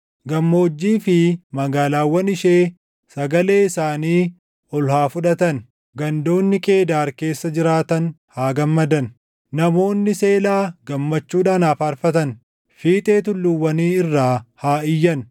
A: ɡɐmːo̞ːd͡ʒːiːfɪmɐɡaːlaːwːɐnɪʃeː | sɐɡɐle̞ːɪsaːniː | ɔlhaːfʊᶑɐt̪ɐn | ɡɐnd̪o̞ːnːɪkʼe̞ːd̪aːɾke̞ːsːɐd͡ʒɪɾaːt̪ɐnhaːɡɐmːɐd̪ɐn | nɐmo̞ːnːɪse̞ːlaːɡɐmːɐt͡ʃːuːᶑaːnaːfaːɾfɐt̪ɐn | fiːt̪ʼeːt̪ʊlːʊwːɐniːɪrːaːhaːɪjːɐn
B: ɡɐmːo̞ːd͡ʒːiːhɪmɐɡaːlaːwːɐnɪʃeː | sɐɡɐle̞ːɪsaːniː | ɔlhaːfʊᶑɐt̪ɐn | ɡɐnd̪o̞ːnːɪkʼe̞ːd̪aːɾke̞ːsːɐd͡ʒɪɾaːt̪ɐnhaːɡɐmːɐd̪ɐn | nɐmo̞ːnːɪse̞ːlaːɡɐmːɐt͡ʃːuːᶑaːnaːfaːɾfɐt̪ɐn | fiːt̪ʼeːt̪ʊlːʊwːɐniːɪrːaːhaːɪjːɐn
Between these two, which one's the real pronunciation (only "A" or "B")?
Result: A